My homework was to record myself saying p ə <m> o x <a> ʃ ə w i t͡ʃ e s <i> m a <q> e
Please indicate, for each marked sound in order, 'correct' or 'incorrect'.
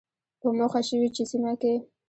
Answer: correct, correct, correct, incorrect: k

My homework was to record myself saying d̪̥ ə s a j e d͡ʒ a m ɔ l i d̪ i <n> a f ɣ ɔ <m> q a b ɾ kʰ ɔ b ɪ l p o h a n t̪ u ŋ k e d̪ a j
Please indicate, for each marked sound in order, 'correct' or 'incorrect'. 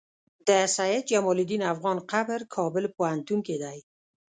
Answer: correct, incorrect: n

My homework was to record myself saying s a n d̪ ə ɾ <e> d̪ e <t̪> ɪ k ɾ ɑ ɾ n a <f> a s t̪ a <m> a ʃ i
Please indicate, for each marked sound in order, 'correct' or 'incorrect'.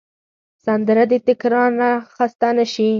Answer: incorrect: a, correct, incorrect: x, incorrect: n

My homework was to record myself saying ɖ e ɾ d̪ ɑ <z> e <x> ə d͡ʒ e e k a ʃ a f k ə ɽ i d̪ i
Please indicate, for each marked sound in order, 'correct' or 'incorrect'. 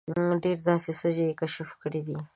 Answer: incorrect: s, incorrect: s

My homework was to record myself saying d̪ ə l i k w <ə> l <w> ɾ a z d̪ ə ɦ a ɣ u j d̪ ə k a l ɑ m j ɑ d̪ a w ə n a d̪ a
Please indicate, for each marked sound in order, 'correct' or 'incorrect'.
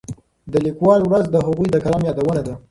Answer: incorrect: ɑ, correct

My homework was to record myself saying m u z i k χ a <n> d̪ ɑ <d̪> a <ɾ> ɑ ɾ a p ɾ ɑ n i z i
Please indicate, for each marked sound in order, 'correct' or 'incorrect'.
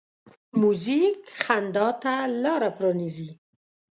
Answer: correct, incorrect: t̪, incorrect: l

